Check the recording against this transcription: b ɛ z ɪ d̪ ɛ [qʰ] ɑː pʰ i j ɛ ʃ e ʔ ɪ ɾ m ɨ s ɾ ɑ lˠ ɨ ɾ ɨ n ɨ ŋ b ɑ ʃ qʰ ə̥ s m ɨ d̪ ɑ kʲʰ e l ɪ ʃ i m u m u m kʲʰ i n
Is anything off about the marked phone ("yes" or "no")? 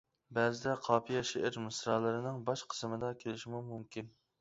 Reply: no